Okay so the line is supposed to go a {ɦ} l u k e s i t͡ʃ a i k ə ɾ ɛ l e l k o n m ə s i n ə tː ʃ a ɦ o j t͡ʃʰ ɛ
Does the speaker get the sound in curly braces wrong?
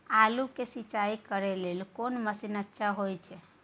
yes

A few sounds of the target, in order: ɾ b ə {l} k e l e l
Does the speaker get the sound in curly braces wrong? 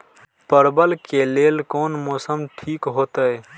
no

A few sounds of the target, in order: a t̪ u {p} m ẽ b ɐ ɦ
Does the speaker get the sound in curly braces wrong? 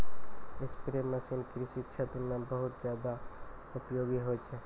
yes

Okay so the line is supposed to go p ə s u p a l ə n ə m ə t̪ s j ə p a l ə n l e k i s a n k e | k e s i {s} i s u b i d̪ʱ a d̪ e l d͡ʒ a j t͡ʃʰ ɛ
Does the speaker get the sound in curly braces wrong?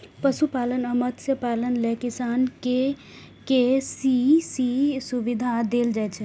no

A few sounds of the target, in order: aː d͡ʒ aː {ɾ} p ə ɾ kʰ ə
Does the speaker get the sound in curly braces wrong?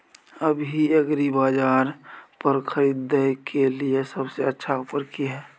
no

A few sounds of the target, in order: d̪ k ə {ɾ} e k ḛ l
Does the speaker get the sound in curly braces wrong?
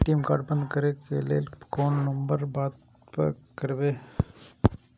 no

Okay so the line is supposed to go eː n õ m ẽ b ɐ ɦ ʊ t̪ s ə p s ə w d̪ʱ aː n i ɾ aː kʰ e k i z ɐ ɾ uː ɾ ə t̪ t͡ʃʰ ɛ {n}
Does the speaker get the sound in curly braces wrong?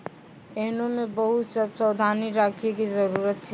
yes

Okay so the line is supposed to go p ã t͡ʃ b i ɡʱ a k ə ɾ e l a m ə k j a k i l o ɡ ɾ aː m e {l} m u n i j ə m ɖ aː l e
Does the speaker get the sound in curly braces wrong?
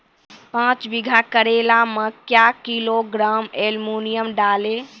no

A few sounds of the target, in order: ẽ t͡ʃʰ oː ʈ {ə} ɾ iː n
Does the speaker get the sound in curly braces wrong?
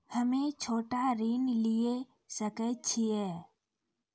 yes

